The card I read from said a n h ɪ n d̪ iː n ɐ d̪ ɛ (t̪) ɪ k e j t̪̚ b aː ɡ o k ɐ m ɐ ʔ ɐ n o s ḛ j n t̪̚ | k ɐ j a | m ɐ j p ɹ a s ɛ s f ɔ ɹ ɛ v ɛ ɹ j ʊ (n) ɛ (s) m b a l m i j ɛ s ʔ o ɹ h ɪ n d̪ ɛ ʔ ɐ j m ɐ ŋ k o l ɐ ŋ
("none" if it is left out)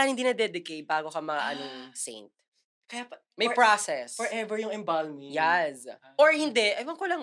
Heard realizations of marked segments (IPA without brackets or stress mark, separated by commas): d̪, ŋ, none